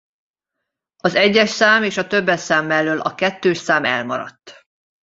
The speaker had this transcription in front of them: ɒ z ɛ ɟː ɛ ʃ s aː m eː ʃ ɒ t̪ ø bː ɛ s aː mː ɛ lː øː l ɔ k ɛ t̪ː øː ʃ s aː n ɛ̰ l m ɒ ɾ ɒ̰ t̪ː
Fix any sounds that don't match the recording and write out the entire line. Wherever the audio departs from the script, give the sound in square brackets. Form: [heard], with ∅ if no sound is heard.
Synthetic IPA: ɒ z ɛ ɟː ɛ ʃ s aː m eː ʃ ɒ t̪ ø bː ɛ s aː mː ɛ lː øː l [ɒ] k ɛ t̪ː øː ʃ s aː [m] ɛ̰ l m ɒ ɾ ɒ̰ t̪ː